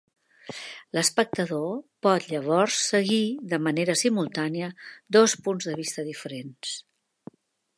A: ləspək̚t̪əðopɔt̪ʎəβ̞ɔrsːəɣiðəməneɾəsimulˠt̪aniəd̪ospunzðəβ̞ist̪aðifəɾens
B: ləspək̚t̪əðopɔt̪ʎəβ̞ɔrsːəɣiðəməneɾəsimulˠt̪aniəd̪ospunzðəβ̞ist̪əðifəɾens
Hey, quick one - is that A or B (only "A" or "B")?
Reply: B